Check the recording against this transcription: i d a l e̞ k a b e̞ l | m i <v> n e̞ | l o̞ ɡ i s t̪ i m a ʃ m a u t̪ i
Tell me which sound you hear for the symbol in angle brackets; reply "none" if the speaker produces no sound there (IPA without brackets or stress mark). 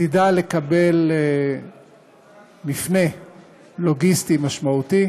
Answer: f